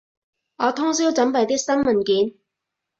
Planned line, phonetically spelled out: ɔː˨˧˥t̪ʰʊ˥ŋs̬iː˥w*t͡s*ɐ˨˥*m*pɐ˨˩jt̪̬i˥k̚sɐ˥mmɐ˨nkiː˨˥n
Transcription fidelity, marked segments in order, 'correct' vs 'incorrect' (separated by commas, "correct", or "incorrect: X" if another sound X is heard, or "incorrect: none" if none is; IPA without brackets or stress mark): correct, correct